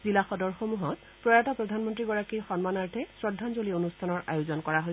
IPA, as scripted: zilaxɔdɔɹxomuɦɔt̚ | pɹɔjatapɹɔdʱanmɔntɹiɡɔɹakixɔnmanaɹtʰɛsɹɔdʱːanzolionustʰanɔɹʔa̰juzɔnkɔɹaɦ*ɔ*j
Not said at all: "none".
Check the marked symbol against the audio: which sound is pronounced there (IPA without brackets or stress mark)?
o